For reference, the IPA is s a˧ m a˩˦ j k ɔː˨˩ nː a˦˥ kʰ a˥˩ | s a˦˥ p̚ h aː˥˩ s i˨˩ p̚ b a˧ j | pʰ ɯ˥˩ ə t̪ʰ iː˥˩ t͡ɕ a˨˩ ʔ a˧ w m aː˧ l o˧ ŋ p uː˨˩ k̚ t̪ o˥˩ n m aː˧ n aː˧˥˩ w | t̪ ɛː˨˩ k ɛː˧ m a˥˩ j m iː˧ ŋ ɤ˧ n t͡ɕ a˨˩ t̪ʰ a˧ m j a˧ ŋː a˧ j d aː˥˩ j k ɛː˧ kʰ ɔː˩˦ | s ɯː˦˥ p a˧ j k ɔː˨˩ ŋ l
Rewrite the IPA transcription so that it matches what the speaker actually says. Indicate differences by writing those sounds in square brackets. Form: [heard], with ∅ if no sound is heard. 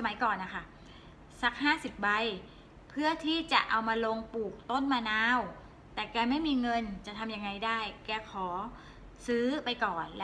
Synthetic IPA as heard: s a˧ m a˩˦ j k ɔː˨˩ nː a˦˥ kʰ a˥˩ | s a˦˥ [k̚] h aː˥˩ s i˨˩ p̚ b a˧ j | pʰ ɯ˥˩ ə t̪ʰ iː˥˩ t͡ɕ a˨˩ ʔ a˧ w m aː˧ l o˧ ŋ p uː˨˩ k̚ t̪ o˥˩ n m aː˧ n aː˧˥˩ w | t̪ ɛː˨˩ k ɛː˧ m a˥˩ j m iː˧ ŋ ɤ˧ n t͡ɕ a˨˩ t̪ʰ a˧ m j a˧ ŋː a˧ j d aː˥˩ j k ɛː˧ kʰ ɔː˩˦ | s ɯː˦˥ p a˧ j k ɔː˨˩ [n] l